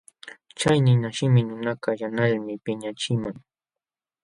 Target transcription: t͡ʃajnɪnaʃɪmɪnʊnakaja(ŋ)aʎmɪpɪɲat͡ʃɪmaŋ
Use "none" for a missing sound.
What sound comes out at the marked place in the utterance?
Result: n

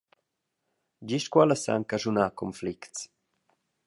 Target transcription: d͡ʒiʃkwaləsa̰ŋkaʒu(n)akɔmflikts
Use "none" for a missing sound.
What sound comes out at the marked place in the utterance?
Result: n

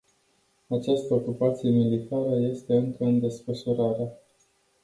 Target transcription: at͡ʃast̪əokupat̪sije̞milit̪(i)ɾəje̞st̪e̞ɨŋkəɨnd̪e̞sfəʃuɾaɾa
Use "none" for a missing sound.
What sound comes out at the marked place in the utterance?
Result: a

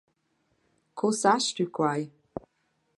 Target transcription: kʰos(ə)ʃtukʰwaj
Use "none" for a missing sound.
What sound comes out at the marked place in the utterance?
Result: a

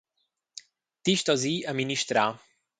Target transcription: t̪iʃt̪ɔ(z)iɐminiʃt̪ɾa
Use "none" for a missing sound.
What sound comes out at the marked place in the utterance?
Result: z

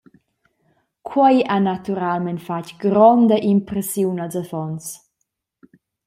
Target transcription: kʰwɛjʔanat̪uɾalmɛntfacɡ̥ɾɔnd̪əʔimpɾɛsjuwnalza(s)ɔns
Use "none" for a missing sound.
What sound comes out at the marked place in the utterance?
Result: f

